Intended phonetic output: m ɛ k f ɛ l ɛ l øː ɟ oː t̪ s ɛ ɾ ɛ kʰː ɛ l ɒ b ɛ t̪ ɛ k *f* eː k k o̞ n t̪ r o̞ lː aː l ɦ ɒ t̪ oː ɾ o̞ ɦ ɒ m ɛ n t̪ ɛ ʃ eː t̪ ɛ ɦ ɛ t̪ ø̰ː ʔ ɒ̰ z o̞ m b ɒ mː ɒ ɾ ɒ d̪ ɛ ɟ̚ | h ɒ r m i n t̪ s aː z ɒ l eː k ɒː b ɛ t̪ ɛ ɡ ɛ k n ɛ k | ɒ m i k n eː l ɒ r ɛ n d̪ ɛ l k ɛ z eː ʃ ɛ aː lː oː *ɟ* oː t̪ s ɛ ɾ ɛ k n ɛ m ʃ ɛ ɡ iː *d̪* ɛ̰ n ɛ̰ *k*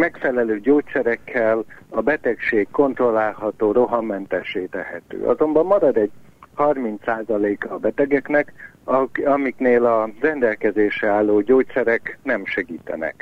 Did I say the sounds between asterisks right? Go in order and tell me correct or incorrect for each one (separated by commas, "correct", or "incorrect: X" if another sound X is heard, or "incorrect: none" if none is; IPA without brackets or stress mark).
incorrect: ʃ, correct, incorrect: t̪, correct